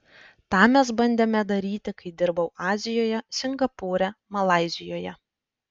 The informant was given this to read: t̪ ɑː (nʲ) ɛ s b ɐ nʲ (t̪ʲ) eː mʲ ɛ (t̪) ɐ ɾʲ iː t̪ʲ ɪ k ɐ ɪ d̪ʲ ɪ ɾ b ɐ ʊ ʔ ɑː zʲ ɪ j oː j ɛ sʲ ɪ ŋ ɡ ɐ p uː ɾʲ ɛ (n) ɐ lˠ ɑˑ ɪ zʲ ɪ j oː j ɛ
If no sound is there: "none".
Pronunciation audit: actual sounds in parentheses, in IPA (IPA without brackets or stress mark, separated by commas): mʲ, d̪ʲ, d̪, m